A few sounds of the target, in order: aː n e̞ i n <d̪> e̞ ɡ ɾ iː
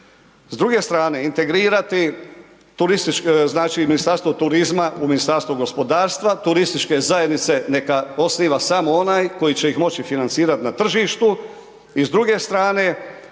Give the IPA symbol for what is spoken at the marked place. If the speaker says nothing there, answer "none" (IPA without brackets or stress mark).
t̪